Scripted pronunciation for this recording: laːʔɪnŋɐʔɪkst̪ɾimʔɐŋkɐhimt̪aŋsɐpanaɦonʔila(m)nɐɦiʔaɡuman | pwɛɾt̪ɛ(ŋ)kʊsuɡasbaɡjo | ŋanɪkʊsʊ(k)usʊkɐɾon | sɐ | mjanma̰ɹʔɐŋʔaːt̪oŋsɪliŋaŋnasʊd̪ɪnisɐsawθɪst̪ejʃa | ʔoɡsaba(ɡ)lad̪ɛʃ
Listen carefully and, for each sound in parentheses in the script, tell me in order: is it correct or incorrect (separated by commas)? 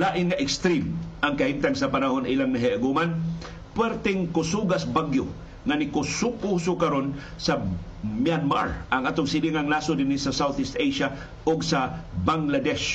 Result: incorrect, correct, correct, incorrect